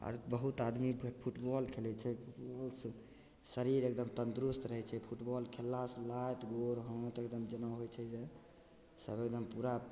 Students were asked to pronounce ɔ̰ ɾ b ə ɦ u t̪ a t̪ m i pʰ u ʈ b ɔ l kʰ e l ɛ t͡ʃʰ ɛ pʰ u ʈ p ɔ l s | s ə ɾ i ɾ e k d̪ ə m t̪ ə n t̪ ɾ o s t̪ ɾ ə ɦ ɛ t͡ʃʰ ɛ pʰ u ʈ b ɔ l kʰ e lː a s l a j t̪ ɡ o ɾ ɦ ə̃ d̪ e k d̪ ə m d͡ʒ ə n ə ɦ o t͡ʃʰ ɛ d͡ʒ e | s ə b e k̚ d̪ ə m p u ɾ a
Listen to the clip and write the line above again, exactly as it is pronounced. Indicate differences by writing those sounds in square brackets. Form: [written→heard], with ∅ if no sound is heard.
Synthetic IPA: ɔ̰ ɾ b ə ɦ u t̪ a [t̪→d̪] m i pʰ u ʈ b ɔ l kʰ e l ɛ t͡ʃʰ ɛ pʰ u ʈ [p→b] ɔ l s | s ə ɾ i ɾ e k d̪ ə m t̪ ə n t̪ ɾ [o→u] s t̪ ɾ ə ɦ ɛ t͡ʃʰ ɛ pʰ u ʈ b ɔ l kʰ e lː a s l a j t̪ ɡ o ɾ ɦ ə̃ [d̪→t̪] e k d̪ ə m d͡ʒ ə n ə ɦ o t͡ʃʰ ɛ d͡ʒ e | s ə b e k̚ d̪ ə m p u ɾ a